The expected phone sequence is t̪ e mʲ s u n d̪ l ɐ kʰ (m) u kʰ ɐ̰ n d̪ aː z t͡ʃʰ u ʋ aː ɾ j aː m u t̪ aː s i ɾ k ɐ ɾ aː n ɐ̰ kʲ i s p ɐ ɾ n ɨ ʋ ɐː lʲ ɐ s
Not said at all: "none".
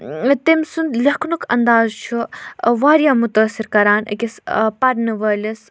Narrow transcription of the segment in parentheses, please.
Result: n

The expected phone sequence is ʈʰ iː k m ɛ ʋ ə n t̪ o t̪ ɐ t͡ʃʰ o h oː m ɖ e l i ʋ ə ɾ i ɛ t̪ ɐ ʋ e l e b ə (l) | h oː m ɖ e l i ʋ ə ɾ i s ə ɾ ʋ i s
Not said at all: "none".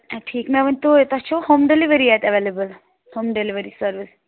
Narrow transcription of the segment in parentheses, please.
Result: l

